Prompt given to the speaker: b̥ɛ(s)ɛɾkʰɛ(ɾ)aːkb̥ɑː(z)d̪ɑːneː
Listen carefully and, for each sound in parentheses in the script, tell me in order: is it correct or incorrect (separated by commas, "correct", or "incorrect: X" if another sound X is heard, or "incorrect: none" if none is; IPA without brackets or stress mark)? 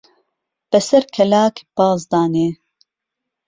correct, incorrect: l, correct